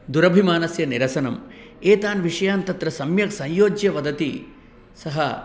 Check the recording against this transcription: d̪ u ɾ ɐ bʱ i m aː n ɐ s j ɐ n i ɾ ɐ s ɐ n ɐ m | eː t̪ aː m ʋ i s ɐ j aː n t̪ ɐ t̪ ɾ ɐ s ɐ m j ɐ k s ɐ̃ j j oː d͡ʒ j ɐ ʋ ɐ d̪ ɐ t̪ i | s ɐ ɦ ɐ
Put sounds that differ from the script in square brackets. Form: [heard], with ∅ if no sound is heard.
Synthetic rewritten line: d̪ u ɾ ɐ bʱ i m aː n ɐ s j ɐ n i ɾ ɐ s ɐ n ɐ m | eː t̪ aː [n] ʋ i [ʂ] ɐ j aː n t̪ ɐ t̪ ɾ ɐ s ɐ m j ɐ k s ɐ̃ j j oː d͡ʒ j ɐ ʋ ɐ d̪ ɐ t̪ i | s ɐ ɦ ɐ